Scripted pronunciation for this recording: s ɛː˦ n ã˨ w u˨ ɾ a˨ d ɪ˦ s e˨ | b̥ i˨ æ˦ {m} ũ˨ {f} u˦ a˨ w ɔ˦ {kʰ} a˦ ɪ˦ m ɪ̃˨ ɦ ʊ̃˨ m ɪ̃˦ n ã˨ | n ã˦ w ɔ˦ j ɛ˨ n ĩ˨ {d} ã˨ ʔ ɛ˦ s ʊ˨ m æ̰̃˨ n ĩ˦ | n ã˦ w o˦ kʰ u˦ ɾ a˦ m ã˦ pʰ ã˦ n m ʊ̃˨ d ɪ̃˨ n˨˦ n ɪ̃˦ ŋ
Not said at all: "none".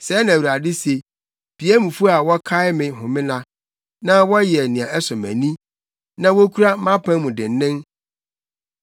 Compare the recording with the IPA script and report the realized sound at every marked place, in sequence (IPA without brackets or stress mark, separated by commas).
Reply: m, f, kʰ, none